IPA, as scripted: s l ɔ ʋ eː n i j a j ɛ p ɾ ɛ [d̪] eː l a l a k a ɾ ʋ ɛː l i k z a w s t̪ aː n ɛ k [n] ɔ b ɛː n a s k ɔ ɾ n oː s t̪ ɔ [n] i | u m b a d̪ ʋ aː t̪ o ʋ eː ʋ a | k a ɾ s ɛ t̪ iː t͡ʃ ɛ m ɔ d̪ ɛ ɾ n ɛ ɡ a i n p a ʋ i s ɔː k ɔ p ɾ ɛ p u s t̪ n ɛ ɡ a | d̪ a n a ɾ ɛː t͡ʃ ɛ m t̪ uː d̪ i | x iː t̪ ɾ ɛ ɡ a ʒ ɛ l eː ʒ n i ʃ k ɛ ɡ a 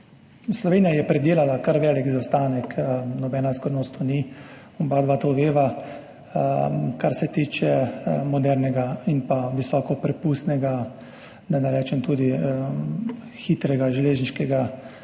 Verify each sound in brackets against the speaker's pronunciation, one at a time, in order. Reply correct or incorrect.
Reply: correct, correct, correct

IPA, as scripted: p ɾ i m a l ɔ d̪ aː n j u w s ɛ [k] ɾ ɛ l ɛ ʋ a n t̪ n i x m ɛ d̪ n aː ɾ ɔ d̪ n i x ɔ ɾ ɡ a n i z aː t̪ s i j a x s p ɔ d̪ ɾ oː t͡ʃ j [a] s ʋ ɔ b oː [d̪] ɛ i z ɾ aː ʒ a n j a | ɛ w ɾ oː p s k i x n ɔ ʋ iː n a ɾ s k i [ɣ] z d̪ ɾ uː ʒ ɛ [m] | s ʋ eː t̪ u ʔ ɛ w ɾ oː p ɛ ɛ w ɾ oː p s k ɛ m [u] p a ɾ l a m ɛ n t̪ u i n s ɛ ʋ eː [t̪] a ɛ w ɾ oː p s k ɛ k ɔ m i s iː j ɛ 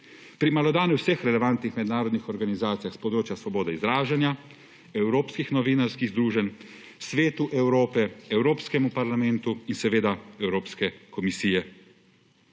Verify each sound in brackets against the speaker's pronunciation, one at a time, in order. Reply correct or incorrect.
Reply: incorrect: x, correct, correct, correct, incorrect: n, correct, incorrect: d̪

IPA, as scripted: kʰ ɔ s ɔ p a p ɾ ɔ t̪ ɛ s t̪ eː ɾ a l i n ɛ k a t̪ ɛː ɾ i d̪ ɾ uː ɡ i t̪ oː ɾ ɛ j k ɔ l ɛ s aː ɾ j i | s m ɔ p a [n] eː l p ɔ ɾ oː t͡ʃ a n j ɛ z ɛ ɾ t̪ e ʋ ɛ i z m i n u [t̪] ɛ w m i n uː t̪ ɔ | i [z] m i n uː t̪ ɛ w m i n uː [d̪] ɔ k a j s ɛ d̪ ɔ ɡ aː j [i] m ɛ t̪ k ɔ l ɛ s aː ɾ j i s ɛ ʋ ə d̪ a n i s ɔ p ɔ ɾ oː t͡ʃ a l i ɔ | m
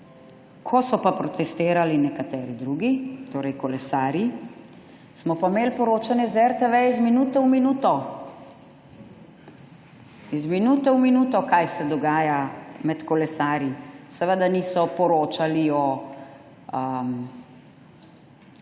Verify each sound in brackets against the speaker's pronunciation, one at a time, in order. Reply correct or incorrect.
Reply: incorrect: m, correct, correct, incorrect: t̪, incorrect: a

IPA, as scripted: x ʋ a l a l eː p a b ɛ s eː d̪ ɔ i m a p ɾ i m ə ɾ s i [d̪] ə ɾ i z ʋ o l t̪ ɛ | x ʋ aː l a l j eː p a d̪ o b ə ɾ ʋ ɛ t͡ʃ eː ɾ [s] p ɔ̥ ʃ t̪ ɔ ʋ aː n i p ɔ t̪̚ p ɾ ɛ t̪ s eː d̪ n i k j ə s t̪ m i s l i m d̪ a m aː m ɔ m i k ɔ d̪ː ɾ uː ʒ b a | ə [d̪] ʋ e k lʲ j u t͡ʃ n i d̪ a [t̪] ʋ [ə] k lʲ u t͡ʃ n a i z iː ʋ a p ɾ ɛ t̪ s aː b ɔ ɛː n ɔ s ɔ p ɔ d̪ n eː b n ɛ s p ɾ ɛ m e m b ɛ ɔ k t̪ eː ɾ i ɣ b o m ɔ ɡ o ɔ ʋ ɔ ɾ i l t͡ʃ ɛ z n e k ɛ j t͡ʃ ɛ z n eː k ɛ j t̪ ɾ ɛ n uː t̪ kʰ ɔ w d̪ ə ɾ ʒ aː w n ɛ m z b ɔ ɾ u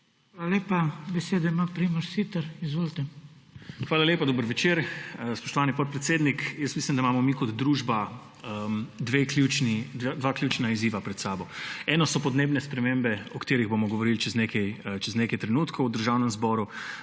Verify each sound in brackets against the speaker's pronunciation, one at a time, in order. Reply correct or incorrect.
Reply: incorrect: t̪, correct, correct, incorrect: d̪, incorrect: a

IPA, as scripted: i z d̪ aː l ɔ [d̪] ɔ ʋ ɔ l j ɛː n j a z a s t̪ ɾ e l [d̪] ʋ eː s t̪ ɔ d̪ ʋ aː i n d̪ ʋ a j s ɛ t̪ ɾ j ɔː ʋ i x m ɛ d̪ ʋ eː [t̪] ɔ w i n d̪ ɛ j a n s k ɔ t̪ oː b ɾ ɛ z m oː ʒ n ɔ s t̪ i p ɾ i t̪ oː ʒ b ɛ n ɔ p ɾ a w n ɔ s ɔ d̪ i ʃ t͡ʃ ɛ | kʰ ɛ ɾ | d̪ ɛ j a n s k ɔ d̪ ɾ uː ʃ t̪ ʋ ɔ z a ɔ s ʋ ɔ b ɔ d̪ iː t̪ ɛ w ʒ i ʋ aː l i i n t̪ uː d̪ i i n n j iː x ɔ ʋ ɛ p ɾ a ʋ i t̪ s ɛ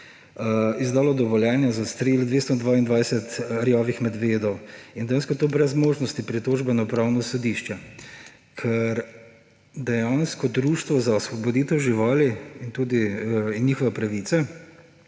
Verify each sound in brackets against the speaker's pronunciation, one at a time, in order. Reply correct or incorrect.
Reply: correct, correct, incorrect: d̪

